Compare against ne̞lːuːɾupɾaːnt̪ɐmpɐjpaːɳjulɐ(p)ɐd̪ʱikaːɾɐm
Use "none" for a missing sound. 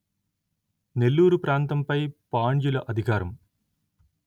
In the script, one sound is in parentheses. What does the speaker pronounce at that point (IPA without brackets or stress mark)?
ʔ